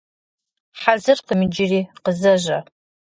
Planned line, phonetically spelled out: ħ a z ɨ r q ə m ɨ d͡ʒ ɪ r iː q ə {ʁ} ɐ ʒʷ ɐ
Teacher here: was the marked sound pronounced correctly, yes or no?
no